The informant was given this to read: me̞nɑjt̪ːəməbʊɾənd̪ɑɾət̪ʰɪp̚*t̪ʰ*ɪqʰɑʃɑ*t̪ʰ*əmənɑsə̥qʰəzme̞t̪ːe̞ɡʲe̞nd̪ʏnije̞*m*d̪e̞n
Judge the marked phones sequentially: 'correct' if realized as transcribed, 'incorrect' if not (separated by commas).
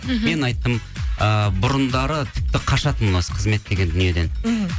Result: incorrect, incorrect, incorrect